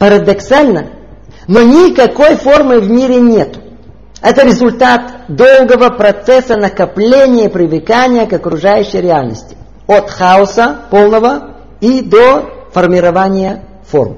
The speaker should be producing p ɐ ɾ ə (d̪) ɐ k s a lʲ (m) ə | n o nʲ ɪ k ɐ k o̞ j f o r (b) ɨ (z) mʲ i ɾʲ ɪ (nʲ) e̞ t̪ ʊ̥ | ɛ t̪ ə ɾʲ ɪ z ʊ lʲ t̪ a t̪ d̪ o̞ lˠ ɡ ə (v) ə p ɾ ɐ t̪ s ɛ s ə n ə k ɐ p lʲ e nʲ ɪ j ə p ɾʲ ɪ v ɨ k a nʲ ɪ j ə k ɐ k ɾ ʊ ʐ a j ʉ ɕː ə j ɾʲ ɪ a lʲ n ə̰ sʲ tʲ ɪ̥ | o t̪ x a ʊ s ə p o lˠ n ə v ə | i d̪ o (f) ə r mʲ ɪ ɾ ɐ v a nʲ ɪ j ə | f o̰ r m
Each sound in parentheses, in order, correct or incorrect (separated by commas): correct, incorrect, incorrect, incorrect, correct, correct, correct